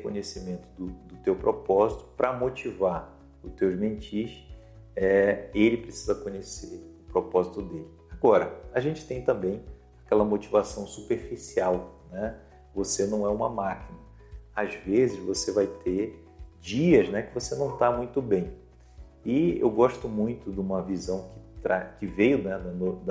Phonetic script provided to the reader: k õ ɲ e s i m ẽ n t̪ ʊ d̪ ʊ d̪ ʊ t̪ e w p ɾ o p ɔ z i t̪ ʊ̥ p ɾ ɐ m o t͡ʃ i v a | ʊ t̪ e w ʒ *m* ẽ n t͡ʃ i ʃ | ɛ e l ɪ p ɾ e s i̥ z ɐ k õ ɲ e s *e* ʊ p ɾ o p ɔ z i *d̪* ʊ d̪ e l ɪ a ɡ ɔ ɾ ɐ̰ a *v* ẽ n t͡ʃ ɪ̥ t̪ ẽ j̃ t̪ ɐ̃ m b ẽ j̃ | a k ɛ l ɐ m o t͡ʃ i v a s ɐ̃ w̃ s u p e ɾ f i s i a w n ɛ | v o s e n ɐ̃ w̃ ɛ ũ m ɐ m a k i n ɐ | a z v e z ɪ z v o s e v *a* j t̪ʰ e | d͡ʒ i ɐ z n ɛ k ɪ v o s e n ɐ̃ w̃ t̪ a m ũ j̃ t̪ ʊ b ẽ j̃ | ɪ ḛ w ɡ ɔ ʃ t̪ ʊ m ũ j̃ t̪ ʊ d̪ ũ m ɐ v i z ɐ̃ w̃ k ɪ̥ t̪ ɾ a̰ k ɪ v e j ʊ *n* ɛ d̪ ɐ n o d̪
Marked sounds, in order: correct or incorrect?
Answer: correct, correct, incorrect, incorrect, correct, correct

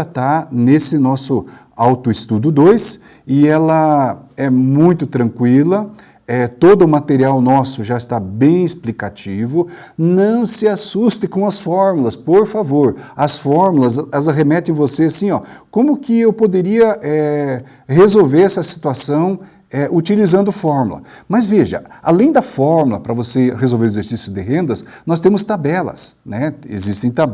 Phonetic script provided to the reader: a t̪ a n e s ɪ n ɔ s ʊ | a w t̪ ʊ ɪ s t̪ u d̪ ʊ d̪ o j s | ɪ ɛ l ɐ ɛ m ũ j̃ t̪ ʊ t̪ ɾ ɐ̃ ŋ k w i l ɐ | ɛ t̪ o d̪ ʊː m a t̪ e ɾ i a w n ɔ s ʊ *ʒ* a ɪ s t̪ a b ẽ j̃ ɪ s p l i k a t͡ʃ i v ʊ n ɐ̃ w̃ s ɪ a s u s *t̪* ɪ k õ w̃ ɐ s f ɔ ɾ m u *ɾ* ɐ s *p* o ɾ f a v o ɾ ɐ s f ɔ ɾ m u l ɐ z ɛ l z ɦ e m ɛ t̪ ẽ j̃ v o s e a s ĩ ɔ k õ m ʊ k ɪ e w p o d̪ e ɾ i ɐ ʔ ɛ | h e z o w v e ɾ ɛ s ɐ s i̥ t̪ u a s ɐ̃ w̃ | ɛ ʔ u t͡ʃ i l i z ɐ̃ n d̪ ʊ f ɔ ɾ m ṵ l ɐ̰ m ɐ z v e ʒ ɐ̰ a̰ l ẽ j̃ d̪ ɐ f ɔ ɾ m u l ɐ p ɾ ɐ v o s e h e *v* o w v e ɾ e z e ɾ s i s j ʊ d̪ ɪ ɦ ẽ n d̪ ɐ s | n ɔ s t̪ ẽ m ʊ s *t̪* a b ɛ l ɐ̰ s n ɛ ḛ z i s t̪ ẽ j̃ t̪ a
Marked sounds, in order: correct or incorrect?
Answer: correct, correct, incorrect, correct, incorrect, correct

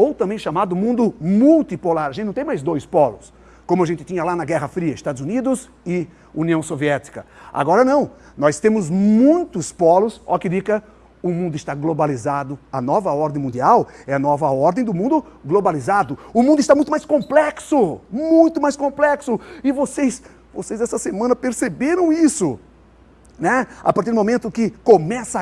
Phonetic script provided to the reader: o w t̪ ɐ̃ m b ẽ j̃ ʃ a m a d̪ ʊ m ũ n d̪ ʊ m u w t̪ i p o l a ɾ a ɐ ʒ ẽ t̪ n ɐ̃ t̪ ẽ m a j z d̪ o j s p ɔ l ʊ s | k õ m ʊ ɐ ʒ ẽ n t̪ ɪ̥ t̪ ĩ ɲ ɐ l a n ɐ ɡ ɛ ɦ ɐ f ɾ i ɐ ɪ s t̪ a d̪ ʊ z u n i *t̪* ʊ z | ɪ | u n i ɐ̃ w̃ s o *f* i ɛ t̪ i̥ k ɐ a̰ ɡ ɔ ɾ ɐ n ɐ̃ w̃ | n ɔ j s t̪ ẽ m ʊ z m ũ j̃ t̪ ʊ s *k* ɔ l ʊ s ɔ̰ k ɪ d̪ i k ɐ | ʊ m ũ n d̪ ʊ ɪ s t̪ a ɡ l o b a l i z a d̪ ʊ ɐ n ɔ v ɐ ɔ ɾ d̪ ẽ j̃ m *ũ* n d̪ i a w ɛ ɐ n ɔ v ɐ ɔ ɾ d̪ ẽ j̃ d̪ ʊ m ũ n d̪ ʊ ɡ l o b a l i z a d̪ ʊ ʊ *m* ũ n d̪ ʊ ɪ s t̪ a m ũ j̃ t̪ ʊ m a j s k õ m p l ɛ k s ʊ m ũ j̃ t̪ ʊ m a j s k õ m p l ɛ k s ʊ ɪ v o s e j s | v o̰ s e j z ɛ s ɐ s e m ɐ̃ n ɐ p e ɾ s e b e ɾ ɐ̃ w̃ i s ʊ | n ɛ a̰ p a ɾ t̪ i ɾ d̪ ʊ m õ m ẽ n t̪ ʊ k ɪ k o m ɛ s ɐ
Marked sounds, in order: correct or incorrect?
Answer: incorrect, incorrect, incorrect, correct, correct

